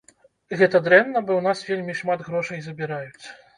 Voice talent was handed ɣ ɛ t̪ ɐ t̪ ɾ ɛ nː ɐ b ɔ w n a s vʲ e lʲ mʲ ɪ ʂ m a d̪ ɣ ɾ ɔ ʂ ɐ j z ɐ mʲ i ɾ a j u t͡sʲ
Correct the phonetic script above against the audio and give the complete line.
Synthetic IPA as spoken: ɣ ɛ t̪ ɐ d̪ ɾ ɛ nː ɐ b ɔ w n a s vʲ e lʲ mʲ i ʂ m a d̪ ɣ ɾ ɔ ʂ ɐ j z ɐ bʲ i ɾ a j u t͡sʲ